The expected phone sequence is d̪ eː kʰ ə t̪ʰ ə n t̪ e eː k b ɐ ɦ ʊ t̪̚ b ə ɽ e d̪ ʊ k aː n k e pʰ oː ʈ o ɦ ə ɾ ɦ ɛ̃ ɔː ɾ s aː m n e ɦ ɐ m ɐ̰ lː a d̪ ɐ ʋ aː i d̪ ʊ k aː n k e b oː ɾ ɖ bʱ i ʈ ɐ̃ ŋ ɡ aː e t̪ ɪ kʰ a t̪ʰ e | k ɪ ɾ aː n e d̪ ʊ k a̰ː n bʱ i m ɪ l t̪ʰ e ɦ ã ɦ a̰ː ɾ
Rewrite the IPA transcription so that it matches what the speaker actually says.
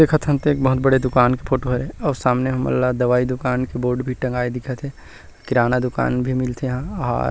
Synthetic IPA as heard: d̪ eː kʰ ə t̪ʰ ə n t̪ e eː k b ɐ ɦ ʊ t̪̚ b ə ɽ e d̪ ʊ k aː n k e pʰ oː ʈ o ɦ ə ɾ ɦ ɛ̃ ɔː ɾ s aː m n e ɦ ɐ m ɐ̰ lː a d̪ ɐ ʋ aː i d̪ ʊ k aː n k e b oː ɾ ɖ bʱ i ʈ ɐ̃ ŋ ɡ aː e d̪ ɪ kʰ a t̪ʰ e | k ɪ ɾ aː n a d̪ ʊ k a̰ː n bʱ i m ɪ l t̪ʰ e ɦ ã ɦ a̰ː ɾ